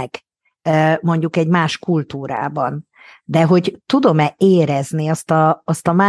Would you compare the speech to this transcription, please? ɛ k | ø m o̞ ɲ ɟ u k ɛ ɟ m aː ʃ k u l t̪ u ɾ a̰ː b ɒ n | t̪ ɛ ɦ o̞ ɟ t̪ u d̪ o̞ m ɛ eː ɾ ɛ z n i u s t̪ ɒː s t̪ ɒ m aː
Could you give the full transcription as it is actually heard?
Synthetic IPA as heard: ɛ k | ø m o̞ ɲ ɟ u k ɛ ɟ m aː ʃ k u l t̪ uː ɾ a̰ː b ɒ n | d̪ ɛ ɦ o̞ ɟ t̪ u d̪ o̞ m ɛ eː ɾ ɛ z n i ɒ s t̪ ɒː s t̪ ɒ m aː